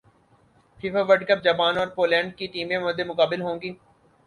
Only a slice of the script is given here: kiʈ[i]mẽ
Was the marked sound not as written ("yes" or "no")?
yes